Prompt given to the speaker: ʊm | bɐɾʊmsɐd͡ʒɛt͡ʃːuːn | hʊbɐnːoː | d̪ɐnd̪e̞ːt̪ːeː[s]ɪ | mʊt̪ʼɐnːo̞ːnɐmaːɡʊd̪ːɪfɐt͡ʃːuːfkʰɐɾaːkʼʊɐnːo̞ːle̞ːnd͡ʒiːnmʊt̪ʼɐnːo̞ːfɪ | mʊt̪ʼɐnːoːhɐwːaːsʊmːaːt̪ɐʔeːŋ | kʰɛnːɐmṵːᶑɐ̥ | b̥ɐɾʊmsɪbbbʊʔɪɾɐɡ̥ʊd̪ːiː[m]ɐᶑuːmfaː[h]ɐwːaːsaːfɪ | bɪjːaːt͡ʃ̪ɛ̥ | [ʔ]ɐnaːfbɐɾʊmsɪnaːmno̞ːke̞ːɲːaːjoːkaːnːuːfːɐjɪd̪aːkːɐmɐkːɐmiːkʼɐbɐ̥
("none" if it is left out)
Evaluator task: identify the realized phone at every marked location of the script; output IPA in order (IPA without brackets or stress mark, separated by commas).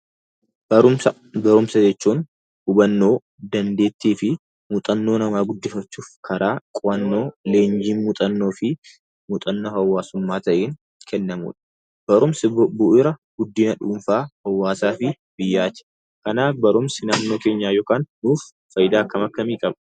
f, n, h, k